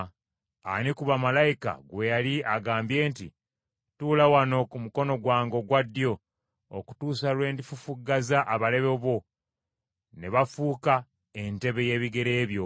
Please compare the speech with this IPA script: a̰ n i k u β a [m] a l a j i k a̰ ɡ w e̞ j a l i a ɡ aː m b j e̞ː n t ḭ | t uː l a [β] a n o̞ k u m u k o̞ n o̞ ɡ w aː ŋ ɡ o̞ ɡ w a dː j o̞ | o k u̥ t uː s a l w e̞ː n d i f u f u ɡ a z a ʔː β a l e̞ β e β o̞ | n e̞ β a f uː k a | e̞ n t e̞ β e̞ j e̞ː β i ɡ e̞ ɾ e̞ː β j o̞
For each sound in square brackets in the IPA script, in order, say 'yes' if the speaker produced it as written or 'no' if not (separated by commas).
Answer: yes, no